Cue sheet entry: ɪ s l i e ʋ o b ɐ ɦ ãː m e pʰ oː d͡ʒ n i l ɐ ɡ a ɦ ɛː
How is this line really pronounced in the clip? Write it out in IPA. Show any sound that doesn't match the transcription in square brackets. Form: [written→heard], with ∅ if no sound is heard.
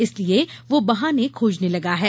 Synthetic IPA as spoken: ɪ s l i e ʋ o b ɐ ɦ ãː [m→n] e [pʰ→kʰ] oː d͡ʒ n [i→e] l ɐ ɡ a ɦ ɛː